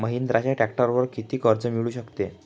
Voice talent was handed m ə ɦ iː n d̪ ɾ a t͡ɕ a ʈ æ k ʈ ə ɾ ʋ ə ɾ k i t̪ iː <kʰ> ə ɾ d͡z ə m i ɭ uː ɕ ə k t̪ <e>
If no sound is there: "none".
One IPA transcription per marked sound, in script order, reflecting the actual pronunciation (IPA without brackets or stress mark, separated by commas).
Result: k, e